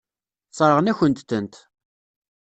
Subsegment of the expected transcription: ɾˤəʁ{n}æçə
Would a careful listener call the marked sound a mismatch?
no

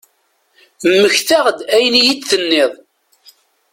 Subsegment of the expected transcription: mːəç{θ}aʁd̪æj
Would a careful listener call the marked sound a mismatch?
no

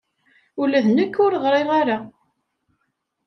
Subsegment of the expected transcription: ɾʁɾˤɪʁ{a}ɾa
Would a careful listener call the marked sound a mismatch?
no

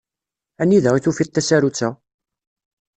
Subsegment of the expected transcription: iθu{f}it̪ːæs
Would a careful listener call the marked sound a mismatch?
no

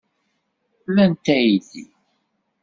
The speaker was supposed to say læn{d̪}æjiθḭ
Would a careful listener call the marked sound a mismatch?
yes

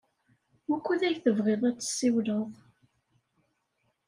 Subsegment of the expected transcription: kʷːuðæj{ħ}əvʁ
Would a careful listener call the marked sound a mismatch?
yes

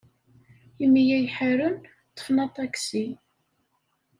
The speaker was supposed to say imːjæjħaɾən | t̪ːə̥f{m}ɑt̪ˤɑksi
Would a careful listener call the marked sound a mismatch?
yes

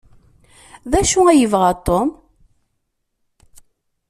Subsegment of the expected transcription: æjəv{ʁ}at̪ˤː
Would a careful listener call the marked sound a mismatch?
no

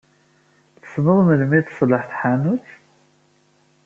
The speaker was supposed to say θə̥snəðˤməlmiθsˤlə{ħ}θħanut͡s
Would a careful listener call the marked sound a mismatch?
no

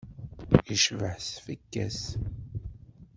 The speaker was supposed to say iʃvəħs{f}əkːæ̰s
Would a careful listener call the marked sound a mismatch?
no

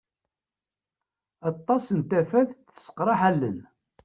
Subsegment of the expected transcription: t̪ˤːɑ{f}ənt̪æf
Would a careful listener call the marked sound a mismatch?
yes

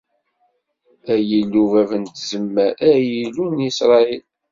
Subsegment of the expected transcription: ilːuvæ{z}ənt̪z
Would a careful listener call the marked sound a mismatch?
yes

